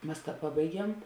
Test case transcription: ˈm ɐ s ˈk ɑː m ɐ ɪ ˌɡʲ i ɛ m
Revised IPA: ˈm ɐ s ˈp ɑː b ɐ ɪ ˌɡʲ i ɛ m